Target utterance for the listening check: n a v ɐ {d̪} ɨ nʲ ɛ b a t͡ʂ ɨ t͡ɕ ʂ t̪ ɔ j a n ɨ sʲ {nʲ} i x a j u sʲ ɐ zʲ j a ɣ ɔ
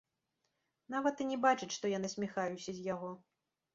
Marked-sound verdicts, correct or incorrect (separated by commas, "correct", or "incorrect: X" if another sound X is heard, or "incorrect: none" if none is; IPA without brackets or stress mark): incorrect: t̪, incorrect: mʲ